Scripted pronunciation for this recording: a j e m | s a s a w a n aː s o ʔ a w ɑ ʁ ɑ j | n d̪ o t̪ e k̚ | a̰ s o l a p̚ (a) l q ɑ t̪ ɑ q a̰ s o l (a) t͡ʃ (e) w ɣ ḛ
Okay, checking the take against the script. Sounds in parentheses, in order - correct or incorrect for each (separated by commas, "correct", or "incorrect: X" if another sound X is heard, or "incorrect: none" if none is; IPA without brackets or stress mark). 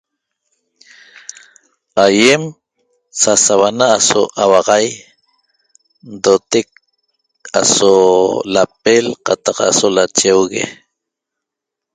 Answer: incorrect: e, correct, correct